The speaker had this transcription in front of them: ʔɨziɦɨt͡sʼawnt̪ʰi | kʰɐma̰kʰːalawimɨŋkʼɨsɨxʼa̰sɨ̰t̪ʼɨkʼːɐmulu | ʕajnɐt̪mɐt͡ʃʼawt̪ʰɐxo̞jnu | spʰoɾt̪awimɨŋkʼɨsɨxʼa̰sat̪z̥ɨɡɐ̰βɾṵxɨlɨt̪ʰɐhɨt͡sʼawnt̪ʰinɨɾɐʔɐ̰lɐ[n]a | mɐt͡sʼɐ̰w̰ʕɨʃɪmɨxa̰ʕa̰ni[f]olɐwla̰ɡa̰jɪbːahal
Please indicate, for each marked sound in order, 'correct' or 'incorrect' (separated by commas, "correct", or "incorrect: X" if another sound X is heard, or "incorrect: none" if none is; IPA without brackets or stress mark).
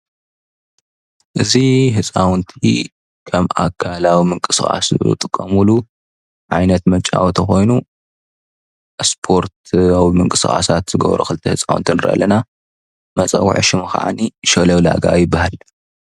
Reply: correct, incorrect: ʃ